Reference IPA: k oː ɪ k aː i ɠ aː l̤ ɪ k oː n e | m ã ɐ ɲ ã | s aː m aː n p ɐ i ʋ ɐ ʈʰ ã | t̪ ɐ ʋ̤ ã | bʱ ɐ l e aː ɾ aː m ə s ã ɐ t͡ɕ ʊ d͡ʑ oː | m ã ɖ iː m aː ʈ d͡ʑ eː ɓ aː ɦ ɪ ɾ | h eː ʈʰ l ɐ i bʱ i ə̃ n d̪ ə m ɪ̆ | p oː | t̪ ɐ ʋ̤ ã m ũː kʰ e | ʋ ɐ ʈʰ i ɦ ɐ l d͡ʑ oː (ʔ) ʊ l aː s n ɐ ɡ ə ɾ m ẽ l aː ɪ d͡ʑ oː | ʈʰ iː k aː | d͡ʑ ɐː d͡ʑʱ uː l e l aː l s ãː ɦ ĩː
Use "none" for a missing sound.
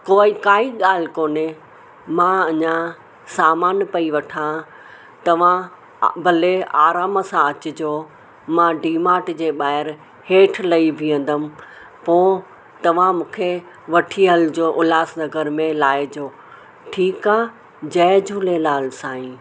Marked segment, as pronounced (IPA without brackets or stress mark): ʔ